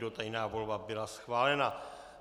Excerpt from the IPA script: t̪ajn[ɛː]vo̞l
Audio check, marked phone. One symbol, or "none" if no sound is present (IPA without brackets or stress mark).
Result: aː